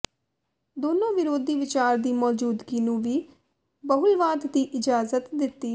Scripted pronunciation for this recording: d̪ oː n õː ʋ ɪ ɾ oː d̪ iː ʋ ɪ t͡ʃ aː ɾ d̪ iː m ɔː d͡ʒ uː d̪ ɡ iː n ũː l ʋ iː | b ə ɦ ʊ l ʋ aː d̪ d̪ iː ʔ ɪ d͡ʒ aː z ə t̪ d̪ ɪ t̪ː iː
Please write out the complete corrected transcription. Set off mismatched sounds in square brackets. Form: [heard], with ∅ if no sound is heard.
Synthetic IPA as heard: d̪ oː n õː ʋ ɪ ɾ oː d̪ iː ʋ ɪ t͡ʃ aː ɾ d̪ iː m ɔː d͡ʒ uː d̪ ɡ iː n ũː [∅] ʋ iː | b ə ɦ ʊ l ʋ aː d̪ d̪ iː ʔ ɪ d͡ʒ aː z ə t̪ d̪ ɪ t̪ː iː